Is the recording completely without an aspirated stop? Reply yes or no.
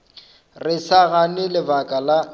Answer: yes